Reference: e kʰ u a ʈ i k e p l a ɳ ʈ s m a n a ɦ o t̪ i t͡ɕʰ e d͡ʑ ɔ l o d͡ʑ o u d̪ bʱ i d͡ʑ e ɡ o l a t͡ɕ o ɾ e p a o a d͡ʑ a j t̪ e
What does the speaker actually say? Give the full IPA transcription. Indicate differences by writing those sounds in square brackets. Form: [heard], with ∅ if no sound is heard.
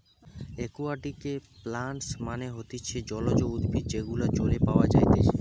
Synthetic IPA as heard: e [k] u a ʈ i k e p l a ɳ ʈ s m a n [e] ɦ o t̪ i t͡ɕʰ e d͡ʑ ɔ l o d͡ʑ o u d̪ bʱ i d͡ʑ e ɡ [u] l a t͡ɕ o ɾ e p a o a d͡ʑ a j t̪ e